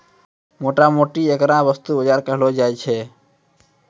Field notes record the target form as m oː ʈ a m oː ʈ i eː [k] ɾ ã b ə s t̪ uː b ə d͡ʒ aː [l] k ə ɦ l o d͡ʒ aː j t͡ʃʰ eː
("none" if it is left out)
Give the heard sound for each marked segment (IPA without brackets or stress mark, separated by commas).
k, ɾ